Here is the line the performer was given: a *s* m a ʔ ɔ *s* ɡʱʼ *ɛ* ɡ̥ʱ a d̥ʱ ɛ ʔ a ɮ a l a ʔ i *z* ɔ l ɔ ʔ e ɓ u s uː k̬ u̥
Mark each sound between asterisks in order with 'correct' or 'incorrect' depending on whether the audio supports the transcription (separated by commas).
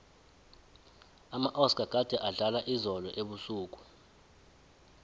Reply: incorrect, correct, incorrect, correct